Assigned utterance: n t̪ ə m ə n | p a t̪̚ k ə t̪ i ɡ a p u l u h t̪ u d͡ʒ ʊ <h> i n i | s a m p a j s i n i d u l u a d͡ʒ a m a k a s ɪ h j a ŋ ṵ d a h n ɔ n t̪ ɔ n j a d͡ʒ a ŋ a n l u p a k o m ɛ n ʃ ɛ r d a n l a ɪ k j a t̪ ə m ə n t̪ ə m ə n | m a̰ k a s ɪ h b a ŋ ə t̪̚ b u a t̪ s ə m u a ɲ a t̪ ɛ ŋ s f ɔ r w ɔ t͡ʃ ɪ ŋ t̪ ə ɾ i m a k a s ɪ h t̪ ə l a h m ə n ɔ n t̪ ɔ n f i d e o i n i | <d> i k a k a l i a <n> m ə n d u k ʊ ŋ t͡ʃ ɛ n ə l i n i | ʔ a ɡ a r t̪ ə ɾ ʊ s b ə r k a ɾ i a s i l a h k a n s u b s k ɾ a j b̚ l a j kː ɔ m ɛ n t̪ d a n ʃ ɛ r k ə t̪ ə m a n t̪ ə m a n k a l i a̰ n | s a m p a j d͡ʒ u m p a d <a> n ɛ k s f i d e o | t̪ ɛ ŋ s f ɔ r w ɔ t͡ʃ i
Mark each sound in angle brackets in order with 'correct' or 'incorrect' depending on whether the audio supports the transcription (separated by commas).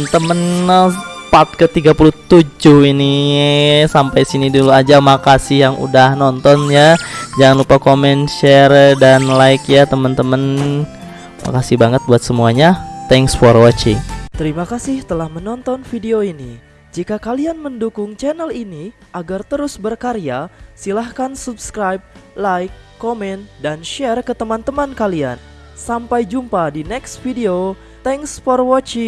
correct, incorrect, correct, incorrect